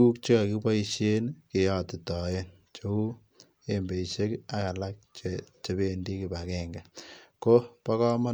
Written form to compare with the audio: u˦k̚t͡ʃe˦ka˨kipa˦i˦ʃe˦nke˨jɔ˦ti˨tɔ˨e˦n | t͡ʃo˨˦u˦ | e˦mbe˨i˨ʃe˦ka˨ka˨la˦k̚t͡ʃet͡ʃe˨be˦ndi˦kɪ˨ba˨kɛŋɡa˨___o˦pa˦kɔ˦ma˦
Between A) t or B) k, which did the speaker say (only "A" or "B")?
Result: B